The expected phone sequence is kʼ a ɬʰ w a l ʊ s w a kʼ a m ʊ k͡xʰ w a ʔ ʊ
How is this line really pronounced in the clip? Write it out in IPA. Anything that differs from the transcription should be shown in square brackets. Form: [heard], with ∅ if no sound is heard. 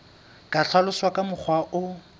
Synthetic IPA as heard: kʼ a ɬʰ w a l ʊ s w a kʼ a m ʊ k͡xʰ w a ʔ ʊ